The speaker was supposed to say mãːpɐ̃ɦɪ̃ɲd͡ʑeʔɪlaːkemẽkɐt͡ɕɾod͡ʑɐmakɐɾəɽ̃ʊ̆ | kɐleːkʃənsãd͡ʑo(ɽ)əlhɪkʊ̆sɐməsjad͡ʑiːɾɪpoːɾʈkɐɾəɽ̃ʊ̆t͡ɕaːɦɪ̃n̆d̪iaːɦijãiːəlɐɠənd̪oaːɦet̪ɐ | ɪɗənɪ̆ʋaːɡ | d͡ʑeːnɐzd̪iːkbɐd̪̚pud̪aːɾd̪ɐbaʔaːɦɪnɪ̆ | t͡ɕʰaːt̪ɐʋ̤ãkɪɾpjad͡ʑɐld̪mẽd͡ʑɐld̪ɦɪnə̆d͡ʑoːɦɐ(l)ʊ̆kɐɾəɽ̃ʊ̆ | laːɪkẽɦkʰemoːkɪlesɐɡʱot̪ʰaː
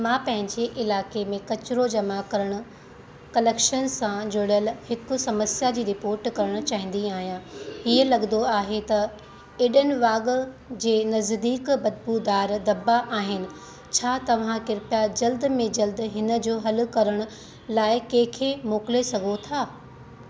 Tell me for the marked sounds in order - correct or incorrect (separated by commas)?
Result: correct, correct